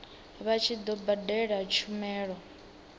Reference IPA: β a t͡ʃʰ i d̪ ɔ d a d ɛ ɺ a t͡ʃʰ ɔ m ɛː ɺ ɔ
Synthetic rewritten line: β a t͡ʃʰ i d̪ ɔ b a d ɛ ɺ a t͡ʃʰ u m ɛː ɺ ɔ